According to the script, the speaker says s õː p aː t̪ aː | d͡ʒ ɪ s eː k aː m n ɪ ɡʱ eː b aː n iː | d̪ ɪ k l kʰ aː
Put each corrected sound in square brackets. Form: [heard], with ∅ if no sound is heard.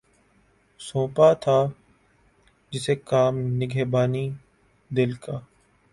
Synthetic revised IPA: s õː p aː [t̪ʰ] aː | d͡ʒ ɪ s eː k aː m n ɪ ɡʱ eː b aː n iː | d̪ ɪ [∅] l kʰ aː